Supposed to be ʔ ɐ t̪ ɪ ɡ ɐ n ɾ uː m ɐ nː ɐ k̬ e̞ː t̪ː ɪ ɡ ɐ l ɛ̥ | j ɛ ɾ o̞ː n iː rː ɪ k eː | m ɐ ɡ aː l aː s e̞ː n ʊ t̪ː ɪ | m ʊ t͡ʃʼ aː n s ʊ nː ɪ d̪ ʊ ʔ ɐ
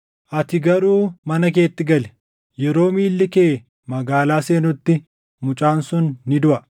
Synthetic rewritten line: ʔ ɐ t̪ ɪ ɡ ɐ ɾ uː m ɐ n ɐ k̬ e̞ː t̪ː ɪ ɡ ɐ l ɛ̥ | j ɛ ɾ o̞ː m iː lː ɪ k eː | m ɐ ɡ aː l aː s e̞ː n ʊ t̪ː ɪ | m ʊ t͡ʃʼ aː n s ʊ nː ɪ d̪ ʊ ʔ ɐ